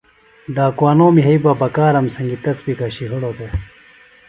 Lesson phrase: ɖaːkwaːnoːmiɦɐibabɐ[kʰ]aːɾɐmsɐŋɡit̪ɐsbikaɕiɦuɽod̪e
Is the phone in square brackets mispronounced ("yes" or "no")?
yes